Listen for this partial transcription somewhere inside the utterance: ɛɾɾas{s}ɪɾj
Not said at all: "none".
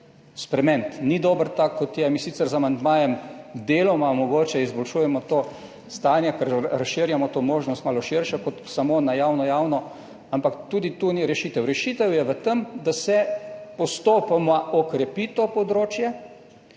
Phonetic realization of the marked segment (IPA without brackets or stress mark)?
ʃ